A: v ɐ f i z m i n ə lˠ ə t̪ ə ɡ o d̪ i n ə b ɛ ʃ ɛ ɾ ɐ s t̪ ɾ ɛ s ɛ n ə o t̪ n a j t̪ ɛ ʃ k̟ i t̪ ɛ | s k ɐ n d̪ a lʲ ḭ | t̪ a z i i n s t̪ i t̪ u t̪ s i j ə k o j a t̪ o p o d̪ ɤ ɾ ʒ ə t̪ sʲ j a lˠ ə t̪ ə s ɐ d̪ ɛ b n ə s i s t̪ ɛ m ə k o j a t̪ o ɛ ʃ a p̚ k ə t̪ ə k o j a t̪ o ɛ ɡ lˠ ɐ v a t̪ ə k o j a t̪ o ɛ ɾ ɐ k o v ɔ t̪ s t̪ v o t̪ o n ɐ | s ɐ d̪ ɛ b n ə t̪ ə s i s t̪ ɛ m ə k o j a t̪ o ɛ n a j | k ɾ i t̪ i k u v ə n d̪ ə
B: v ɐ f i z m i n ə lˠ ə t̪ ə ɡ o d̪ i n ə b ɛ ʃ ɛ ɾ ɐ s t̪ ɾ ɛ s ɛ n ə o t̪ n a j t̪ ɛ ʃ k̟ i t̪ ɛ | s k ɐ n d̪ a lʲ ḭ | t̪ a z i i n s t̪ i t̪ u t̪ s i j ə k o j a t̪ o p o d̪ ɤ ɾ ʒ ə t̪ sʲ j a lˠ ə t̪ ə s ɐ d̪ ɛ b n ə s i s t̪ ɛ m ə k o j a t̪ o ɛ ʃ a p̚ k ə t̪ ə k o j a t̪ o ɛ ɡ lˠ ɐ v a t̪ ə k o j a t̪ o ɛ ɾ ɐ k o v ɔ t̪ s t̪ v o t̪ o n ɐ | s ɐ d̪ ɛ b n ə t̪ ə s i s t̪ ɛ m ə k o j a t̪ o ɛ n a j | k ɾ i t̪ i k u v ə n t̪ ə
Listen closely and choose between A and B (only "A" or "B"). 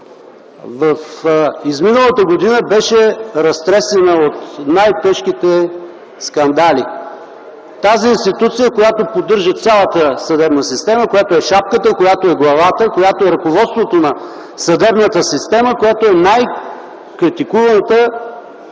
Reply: B